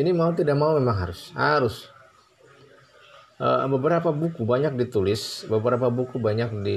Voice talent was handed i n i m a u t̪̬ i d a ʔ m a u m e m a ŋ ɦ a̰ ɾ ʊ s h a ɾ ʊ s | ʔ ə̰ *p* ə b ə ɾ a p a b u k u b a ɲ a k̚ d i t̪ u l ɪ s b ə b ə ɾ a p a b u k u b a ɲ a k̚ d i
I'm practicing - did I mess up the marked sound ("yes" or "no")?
yes